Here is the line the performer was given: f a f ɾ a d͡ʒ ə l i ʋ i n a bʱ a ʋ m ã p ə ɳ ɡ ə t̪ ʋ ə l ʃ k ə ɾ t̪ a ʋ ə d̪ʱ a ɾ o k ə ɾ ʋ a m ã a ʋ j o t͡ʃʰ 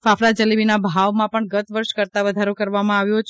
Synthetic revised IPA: f a f ɾ a d͡ʒ ə l i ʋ i n a bʱ a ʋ m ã p ə ɳ ɡ ə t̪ ʋ ə ɾ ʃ k ə ɾ t̪ a ʋ ə d̪ʱ a ɾ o k ə ɾ ʋ a m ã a ʋ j o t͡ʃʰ